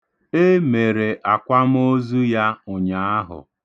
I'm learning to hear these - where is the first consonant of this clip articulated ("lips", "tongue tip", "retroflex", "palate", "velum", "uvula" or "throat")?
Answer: lips